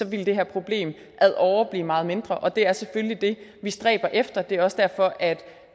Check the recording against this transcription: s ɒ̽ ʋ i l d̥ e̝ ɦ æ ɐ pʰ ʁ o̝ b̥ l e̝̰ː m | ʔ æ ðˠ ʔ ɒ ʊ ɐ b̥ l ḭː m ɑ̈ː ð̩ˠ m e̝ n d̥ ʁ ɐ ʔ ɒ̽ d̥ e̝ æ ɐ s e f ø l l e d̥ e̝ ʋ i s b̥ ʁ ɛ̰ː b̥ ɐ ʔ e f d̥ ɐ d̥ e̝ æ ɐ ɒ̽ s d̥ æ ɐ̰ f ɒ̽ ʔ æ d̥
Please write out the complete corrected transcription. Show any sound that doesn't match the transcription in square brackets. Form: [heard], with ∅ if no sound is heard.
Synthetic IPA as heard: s ɒ̽ ʋ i l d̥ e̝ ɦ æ ɐ pʰ ʁ o̝ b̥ l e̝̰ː m | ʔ æ ðˠ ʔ ɒ ʊ ɐ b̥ l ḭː m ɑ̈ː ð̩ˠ m e̝ n d̥ ʁ ɐ ʔ ɒ̽ d̥ e̝ æ ɐ s e f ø l l [i] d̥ e̝ ʋ i s [d̥] ʁ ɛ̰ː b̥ ɐ ʔ e f d̥ ɐ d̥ e̝ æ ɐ ɒ̽ s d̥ æ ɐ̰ f ɒ̽ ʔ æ d̥